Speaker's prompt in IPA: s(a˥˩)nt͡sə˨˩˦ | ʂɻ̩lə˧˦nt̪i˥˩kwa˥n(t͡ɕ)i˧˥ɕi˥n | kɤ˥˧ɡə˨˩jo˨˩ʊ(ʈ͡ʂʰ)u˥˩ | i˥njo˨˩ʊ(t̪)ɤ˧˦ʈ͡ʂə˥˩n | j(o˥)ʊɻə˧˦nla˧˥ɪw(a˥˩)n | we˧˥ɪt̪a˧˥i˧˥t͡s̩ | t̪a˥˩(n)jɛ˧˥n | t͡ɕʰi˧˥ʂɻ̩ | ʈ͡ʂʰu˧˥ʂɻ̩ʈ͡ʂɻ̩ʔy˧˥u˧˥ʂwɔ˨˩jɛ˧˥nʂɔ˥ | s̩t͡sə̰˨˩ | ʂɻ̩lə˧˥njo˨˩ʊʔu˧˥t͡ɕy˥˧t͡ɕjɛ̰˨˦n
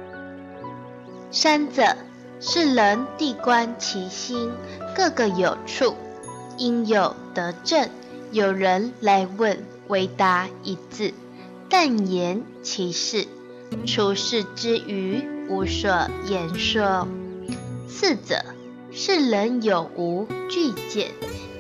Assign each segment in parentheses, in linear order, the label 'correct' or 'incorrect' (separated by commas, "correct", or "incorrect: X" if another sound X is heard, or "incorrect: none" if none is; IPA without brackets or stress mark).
incorrect: a˥, incorrect: t͡ɕʰ, correct, correct, incorrect: o˨˩, incorrect: ə˥˩, correct